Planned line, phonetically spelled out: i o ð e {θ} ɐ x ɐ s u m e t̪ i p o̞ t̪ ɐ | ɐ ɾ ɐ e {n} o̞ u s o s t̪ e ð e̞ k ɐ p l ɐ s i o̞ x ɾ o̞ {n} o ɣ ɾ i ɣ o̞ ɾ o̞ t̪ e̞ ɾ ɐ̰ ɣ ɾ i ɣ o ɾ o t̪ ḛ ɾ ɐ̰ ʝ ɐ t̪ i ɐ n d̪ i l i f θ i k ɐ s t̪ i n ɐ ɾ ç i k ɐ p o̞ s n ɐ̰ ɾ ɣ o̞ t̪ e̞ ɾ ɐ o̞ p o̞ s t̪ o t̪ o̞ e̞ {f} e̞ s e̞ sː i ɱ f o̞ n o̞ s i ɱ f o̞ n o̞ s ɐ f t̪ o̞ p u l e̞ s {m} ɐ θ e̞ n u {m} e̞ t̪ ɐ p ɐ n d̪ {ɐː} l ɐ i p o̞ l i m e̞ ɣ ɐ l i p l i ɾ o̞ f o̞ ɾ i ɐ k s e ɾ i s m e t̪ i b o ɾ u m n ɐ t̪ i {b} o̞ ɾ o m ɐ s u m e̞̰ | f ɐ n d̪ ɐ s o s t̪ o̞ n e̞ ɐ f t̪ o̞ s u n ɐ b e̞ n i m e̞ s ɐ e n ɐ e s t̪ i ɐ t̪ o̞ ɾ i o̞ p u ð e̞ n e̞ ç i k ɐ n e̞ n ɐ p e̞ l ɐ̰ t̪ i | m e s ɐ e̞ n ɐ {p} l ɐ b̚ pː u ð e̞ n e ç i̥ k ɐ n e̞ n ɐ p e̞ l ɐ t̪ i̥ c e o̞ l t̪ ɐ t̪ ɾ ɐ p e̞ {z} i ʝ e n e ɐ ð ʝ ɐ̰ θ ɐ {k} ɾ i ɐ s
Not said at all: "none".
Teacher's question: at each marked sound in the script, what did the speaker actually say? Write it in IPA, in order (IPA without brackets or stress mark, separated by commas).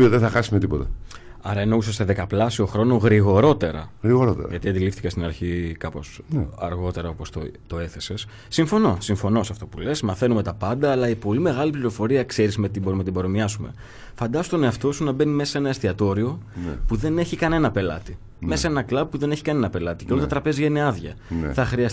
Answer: θ, n, n, θ, m, m, ɐː, b, k, z, x